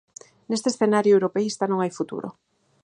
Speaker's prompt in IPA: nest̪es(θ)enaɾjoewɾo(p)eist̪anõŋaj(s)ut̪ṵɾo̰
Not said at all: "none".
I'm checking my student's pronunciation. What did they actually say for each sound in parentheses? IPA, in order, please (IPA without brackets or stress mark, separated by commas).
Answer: θ, p, f